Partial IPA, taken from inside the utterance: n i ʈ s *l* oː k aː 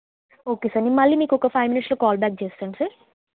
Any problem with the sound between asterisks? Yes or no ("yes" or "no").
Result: no